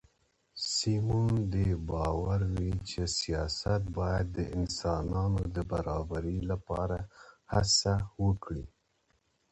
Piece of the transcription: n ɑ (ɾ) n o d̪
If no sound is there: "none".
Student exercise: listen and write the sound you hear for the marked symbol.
none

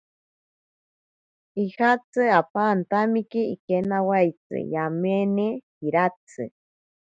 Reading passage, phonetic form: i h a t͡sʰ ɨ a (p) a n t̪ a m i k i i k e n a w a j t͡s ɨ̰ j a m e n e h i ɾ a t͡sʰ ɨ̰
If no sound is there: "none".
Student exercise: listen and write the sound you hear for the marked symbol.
p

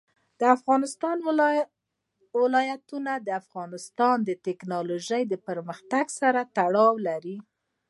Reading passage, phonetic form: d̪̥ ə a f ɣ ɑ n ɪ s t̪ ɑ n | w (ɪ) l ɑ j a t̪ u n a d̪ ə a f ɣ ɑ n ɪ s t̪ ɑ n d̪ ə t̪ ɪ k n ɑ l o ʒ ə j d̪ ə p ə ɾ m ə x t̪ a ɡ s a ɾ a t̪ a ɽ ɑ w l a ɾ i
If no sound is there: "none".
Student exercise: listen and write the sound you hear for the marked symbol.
ɪ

